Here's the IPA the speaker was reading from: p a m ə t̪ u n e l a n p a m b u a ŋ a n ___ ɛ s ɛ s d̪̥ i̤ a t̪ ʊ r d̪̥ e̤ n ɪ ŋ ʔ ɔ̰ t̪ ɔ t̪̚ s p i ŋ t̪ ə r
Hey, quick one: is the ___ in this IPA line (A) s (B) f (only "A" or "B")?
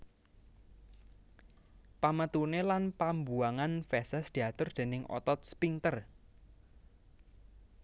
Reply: B